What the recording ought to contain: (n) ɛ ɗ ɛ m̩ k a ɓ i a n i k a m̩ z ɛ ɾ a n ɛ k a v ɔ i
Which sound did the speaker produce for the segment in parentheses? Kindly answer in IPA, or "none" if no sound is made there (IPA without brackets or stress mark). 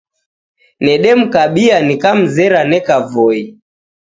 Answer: n